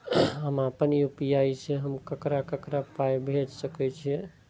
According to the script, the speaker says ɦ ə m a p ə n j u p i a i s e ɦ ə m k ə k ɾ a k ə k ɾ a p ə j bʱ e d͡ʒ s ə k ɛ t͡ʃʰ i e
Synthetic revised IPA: ɦ ə m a p ə n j u p i a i s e ɦ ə m k ə k ɾ a k ə k ɾ a p a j bʱ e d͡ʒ s ə k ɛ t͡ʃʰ i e